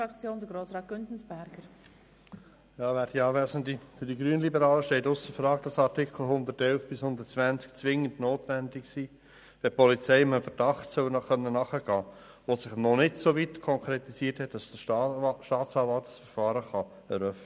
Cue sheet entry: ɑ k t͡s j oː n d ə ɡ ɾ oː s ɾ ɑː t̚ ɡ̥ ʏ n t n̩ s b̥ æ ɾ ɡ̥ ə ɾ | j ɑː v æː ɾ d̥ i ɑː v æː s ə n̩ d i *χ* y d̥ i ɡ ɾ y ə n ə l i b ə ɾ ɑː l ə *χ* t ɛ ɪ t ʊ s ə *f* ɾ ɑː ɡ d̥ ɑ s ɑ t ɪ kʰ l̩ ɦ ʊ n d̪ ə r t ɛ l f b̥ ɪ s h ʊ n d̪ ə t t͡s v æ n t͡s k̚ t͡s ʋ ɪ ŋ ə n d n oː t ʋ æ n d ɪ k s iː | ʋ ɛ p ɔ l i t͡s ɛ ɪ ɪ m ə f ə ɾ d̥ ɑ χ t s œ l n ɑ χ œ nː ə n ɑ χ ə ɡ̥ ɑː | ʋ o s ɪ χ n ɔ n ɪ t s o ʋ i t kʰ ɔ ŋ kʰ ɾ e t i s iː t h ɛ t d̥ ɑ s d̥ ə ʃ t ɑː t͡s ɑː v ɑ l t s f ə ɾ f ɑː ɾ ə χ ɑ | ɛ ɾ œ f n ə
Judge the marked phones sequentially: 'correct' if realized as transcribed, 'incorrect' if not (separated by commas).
incorrect, incorrect, correct